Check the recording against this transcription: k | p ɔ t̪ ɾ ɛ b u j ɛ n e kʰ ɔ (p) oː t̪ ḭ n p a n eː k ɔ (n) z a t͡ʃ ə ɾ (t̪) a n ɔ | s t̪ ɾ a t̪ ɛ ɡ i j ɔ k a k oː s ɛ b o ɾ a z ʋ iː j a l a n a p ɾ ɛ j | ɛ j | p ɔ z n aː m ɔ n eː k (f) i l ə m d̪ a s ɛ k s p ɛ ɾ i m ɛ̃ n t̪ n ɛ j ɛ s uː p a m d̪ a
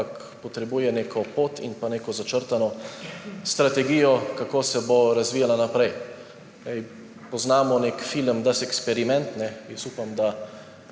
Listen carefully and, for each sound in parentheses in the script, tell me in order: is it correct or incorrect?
correct, incorrect: none, correct, correct

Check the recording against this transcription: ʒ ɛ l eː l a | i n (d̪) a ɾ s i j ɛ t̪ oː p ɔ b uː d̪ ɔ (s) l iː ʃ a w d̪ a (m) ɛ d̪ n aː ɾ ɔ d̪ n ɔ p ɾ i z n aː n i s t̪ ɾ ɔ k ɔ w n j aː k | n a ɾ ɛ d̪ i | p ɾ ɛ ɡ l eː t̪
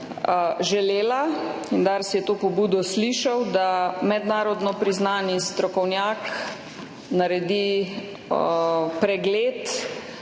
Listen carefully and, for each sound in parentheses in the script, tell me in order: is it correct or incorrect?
correct, correct, correct

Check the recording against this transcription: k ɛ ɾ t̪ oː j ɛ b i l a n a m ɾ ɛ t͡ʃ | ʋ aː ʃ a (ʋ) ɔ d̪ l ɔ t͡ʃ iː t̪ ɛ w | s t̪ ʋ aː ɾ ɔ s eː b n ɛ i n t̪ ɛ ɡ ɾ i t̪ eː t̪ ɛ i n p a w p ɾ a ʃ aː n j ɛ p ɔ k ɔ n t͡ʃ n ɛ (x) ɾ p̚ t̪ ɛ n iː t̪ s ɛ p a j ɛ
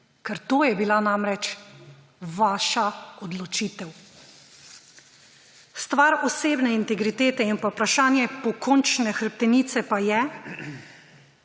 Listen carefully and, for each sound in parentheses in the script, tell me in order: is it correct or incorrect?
incorrect: none, correct

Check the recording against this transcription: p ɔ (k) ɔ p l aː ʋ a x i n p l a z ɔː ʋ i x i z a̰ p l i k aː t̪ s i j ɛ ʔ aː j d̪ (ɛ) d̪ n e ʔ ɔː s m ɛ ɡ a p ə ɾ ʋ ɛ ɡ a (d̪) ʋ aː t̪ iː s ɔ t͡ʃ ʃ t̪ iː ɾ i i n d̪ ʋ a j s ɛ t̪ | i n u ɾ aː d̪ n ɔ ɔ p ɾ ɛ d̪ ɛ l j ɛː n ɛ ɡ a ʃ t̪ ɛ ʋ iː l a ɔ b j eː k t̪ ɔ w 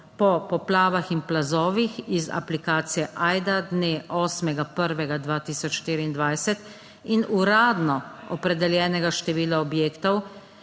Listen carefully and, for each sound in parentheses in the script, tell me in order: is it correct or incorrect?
incorrect: p, incorrect: a, correct

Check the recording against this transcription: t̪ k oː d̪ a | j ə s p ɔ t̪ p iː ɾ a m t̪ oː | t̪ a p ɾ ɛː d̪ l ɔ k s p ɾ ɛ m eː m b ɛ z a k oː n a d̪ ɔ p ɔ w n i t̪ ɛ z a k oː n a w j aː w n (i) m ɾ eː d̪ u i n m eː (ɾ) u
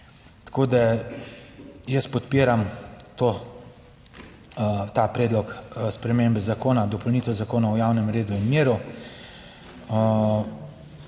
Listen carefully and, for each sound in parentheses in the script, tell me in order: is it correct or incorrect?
incorrect: ɛ, correct

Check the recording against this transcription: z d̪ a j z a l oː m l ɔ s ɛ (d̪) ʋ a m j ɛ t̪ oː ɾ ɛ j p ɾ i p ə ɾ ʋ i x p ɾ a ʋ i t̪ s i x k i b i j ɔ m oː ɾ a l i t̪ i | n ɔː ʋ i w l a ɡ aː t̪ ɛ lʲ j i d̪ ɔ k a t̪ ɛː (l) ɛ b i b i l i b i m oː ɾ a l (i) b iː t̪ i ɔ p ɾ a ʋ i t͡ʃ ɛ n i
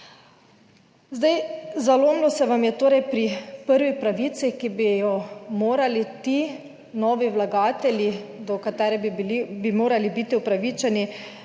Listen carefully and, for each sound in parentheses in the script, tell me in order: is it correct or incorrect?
incorrect: none, incorrect: ɾ, correct

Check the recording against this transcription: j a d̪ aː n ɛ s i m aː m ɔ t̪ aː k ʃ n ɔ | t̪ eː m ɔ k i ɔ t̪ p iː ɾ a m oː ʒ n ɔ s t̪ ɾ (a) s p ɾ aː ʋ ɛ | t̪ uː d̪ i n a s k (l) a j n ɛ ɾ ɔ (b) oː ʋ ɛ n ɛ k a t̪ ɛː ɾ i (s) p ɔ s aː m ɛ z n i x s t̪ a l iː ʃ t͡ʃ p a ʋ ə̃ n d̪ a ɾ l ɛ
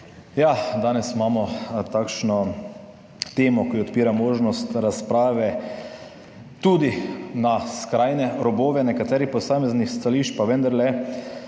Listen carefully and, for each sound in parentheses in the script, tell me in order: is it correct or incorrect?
correct, incorrect: ɾ, correct, incorrect: none

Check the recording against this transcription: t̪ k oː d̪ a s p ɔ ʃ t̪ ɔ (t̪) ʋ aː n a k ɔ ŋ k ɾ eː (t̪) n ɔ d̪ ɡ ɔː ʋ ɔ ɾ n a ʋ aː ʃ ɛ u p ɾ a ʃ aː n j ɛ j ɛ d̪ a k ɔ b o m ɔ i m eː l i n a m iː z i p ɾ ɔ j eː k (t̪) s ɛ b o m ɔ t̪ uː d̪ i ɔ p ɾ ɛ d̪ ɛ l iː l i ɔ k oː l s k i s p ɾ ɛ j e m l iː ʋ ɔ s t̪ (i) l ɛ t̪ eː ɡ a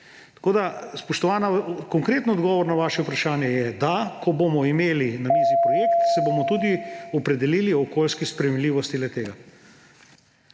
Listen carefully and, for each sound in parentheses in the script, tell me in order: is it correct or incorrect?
incorrect: none, correct, correct, correct

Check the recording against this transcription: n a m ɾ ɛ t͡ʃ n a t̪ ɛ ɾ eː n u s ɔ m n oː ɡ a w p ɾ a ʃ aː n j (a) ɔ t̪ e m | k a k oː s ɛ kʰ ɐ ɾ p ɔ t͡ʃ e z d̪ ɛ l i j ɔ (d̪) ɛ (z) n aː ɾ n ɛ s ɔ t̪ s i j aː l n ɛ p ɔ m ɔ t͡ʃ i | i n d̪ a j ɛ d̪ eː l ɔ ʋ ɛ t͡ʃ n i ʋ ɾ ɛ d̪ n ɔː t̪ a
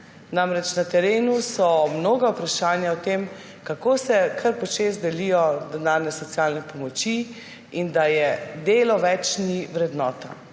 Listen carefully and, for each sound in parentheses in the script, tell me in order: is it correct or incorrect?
correct, correct, incorrect: none

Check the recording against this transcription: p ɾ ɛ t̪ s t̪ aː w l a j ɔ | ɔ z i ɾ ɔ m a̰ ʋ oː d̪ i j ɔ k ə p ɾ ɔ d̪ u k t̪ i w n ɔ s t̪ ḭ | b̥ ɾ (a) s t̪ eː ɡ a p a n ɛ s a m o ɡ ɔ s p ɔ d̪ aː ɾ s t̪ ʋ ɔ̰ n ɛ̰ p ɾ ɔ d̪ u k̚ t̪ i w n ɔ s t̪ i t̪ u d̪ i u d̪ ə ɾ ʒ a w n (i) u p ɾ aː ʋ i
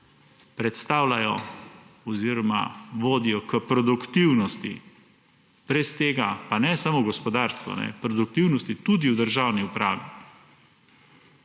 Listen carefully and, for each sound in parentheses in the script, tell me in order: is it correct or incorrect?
incorrect: ɛ, correct

